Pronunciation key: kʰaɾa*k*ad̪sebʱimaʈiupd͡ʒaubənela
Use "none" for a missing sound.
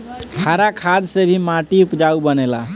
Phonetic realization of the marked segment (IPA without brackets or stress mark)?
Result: kʰ